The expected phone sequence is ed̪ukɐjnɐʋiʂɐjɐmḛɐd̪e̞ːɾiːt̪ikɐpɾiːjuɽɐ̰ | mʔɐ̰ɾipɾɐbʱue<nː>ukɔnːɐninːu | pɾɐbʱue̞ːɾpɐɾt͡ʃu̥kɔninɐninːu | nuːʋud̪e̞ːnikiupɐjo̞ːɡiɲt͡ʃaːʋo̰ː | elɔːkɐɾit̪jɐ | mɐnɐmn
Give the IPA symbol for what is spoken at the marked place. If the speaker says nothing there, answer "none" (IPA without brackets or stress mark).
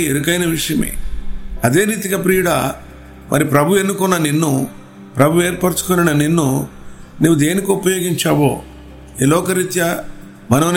nː